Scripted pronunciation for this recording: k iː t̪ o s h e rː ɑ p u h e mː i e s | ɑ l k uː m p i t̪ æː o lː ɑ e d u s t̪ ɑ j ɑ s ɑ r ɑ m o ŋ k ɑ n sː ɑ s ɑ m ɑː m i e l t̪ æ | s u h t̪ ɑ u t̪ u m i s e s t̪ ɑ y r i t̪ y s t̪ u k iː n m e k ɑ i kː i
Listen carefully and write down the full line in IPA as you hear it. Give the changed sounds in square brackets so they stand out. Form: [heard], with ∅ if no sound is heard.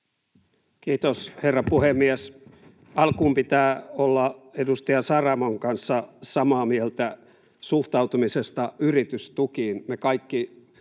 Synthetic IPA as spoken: k iː t̪ o s h e rː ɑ p u h e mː i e s | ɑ l k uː m p i t̪ æː o lː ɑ e d u s t̪ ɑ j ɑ s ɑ r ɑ m o ŋ k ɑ n sː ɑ s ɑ m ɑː m i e l t̪ æ | s u h t̪ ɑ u t̪ u m i s e s t̪ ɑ y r i t̪ y s t̪ u k iː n m e k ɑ i kː i